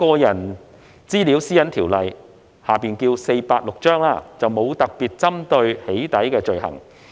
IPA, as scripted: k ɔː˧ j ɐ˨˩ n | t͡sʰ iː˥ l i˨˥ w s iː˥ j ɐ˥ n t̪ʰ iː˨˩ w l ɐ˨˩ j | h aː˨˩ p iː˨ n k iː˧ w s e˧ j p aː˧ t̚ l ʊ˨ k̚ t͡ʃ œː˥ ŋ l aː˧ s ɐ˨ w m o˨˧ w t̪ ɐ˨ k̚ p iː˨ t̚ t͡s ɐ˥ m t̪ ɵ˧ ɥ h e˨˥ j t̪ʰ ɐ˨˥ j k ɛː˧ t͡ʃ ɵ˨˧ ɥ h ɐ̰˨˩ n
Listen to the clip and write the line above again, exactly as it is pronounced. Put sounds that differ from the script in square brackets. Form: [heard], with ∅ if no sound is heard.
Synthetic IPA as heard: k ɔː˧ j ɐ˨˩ n | [t͡s] iː˥ l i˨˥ w s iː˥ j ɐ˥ n t̪ʰ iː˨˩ w l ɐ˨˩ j | h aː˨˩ p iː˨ n k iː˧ w s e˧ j p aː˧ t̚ l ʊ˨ k̚ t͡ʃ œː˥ ŋ l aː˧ [t͡s] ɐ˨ w m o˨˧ w t̪ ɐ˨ k̚ p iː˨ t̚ t͡s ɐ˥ m t̪ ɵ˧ ɥ h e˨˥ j [t̪] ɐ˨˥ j k ɛː˧ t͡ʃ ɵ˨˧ ɥ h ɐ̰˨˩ [ŋ]

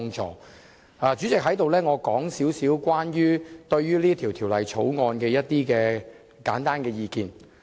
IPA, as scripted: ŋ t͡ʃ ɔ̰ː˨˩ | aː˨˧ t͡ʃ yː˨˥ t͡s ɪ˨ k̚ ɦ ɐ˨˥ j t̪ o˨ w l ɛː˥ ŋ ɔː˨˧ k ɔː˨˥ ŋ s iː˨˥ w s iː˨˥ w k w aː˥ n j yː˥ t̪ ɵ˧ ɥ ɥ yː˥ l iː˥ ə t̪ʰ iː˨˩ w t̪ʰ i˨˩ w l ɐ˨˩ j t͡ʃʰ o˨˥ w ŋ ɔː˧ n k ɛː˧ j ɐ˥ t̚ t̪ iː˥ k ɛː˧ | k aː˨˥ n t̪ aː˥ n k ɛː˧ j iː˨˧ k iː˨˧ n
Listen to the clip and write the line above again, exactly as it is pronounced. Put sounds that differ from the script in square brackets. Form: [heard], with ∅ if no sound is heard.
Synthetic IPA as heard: ŋ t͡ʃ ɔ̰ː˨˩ | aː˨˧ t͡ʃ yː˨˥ t͡s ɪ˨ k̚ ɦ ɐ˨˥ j t̪ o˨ w l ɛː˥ ŋ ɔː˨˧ k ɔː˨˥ ŋ s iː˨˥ w s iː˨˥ w k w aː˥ n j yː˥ t̪ ɵ˧ ɥ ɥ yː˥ l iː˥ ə t̪ʰ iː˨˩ w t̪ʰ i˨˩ w l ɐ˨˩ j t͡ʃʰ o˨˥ w ŋ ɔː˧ n k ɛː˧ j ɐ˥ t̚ t̪ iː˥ k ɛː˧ | k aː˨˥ n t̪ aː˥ n k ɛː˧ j iː˨˧ k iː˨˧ n

